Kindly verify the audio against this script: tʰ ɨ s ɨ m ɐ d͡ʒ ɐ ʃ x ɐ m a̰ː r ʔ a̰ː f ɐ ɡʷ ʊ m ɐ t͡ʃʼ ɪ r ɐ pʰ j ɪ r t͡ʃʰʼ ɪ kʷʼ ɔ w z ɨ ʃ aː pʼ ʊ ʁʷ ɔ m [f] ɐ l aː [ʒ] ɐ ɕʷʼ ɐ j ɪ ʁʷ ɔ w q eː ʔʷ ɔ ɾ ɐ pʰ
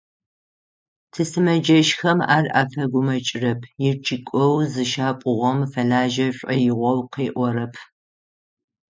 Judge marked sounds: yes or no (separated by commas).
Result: yes, yes